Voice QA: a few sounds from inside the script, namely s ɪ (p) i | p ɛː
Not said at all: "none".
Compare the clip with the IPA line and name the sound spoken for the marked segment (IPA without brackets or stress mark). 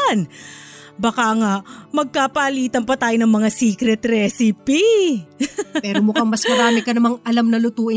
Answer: p